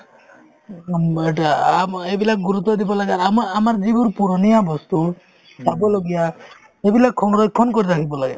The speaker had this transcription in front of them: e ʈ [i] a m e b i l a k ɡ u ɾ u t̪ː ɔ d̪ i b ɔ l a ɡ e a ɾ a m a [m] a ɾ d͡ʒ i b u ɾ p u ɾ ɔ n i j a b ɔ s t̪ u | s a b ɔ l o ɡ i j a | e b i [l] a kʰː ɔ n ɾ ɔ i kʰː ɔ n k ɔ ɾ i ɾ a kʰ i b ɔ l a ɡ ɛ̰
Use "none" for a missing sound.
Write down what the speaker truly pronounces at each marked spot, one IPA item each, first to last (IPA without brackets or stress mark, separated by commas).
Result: a, m, l